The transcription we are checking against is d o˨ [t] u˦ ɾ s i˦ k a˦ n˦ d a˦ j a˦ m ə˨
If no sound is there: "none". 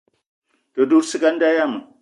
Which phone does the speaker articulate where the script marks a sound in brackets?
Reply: d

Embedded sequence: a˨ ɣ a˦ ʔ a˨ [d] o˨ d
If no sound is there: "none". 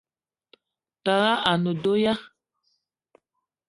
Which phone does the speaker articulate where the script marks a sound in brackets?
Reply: n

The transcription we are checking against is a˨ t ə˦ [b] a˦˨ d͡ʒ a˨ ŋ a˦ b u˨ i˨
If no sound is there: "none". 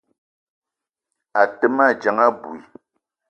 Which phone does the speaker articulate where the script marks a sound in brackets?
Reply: m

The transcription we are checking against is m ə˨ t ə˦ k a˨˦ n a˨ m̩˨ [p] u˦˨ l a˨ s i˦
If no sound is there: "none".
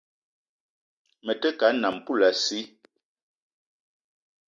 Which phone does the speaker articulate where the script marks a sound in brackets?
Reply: p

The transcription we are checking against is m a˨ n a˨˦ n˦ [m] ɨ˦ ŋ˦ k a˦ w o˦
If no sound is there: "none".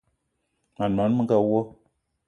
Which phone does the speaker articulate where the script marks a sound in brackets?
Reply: m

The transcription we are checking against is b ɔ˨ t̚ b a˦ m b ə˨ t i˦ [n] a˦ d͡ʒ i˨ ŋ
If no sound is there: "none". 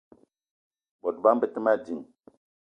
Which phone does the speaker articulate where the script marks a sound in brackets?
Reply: m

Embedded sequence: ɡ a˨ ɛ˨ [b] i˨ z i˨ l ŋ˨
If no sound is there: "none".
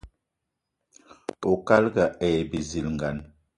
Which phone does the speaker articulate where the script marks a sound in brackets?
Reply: b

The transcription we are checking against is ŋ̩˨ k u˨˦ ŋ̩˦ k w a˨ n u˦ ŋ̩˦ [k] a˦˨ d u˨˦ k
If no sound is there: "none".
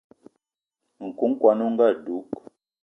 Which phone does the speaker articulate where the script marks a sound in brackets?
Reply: ɡ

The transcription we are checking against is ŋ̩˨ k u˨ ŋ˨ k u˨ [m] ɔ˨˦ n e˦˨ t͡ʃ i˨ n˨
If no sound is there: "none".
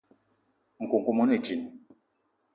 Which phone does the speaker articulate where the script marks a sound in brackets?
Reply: m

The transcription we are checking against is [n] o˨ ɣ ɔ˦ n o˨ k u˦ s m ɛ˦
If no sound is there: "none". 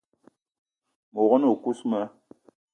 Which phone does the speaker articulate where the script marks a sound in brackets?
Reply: m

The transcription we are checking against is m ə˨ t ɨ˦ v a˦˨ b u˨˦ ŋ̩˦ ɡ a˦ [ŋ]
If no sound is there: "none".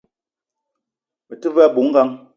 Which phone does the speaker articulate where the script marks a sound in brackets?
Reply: ŋ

